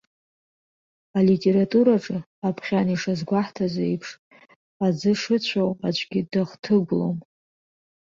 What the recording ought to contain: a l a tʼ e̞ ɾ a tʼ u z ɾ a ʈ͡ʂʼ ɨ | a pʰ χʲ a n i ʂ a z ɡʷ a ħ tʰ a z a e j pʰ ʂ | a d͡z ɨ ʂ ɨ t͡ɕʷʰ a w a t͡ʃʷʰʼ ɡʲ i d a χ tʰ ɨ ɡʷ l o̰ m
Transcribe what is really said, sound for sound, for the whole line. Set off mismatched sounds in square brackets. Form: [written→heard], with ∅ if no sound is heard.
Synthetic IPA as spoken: a l [a→i] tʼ e̞ ɾ a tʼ u [z→∅] ɾ a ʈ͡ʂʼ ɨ | a pʰ χʲ a n i ʂ a z ɡʷ a ħ tʰ a z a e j pʰ ʂ | a d͡z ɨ ʂ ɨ t͡ɕʷʰ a w a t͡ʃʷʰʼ ɡʲ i d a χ tʰ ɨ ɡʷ l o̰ m